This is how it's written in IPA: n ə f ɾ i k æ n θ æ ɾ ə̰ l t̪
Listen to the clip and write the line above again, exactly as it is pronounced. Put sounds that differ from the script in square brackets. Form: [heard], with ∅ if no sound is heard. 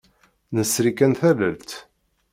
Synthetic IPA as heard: n ə [s] ɾ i k æ n θ æ [l] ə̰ l t̪